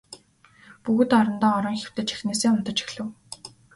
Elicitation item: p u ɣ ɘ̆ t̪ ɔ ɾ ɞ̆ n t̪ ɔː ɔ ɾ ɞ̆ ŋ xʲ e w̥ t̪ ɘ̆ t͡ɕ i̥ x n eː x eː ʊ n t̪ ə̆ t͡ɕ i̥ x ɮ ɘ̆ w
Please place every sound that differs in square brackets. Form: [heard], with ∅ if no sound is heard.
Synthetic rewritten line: p u ɣ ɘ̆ t̪ ɔ ɾ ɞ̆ n t̪ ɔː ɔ ɾ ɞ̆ ŋ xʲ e w̥ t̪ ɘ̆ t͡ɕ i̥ x n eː [s] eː ʊ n t̪ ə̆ t͡ɕ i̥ x ɮ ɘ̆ w